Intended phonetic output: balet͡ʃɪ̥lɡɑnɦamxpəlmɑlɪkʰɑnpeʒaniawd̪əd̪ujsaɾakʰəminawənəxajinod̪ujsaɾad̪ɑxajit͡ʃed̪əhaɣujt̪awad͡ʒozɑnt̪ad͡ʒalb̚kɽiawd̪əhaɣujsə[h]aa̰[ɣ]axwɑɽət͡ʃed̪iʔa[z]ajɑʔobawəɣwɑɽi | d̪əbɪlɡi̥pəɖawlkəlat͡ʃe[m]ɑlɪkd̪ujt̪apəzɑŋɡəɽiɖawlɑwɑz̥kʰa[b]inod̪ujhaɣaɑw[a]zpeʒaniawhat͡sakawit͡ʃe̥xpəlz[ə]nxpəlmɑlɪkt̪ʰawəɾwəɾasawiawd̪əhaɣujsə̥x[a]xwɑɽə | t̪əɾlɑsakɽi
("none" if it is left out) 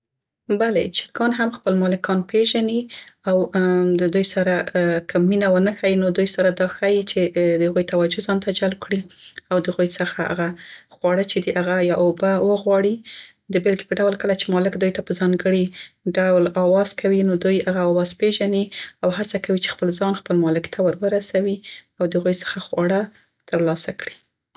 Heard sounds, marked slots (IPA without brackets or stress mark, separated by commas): x, ɣ, ɣ, m, w, ɑ, ɑ, a